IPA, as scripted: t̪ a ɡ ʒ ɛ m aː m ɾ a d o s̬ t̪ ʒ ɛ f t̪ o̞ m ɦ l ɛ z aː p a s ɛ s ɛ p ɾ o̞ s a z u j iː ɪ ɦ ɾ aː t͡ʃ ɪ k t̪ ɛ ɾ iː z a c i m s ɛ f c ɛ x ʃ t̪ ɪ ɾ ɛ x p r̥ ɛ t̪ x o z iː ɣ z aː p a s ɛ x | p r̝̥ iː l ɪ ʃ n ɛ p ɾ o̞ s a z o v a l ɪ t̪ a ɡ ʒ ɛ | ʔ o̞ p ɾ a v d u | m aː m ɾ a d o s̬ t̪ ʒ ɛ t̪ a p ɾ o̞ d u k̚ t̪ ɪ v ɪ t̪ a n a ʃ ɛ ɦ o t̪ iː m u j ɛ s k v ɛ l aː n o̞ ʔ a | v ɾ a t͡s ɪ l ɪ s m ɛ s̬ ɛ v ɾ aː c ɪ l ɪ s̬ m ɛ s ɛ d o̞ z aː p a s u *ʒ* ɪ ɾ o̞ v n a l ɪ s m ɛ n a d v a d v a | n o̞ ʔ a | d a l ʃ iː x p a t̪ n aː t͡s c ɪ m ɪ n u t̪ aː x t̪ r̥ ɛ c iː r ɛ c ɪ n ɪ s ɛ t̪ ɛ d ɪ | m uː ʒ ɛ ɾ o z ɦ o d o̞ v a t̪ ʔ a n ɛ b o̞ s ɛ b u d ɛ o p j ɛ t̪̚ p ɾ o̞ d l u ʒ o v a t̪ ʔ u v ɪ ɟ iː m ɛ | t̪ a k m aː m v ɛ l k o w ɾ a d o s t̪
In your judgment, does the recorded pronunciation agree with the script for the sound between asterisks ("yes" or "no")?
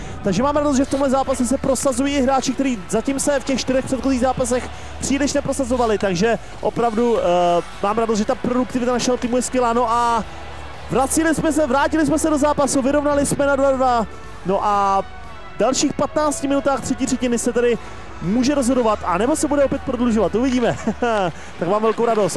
no